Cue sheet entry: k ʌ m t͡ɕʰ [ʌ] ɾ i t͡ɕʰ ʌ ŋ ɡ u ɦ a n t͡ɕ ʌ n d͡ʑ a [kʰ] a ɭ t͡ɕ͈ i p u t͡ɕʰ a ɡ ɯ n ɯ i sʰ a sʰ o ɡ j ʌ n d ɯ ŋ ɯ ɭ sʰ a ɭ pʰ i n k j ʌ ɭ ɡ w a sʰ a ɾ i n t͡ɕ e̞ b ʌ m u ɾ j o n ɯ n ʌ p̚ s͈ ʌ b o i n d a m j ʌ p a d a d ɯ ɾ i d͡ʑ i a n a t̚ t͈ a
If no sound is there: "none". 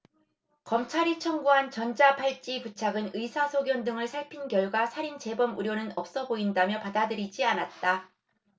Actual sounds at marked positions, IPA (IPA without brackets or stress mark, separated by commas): a, pʰ